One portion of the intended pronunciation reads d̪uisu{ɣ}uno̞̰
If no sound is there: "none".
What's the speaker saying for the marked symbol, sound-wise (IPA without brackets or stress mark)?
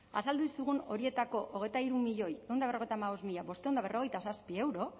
ɣ